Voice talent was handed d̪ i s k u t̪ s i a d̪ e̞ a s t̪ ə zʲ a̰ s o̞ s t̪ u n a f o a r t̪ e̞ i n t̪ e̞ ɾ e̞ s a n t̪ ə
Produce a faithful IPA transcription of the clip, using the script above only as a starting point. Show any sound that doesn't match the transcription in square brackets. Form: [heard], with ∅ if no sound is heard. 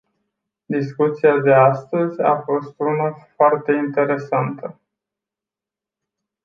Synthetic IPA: d̪ i s k u t̪ s i a d̪ e̞ a s t̪ ə zʲ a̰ [f] o̞ s t̪ u n a f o a r t̪ e̞ i n t̪ e̞ ɾ e̞ s a n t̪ ə